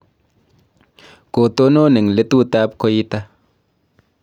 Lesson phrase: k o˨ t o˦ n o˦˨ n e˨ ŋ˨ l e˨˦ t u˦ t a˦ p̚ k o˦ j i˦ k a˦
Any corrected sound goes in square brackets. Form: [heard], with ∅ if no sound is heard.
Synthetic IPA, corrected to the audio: k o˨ t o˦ n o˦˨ n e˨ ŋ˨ l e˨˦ t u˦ t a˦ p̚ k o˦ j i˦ [t] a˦